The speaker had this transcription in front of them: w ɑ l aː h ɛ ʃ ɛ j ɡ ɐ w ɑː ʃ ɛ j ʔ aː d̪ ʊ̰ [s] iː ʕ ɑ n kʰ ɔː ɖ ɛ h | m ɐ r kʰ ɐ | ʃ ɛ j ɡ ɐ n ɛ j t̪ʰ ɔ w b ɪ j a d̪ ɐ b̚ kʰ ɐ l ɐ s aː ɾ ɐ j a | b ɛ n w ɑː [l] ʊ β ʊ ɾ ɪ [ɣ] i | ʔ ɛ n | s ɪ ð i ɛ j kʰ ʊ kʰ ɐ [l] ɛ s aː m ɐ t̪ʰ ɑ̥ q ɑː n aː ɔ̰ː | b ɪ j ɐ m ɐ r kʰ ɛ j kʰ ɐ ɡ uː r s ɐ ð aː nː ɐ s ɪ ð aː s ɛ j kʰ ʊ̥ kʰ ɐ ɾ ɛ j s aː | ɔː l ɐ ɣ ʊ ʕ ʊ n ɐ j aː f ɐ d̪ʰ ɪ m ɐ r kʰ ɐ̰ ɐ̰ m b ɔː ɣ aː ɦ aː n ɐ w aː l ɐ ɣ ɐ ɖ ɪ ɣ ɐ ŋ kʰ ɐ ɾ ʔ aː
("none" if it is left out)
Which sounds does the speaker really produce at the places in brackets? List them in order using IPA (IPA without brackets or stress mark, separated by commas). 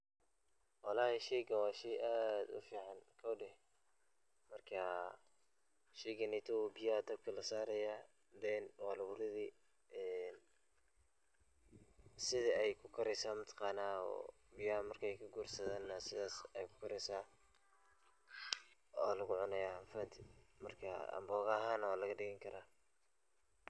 f, l, ð, ɾ